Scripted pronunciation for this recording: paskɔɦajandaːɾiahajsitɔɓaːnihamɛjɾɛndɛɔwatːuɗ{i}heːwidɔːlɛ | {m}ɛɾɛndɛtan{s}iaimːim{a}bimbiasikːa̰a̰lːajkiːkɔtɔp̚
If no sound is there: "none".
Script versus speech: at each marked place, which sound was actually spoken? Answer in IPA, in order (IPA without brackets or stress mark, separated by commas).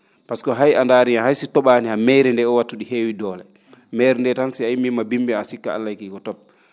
i, m, s, a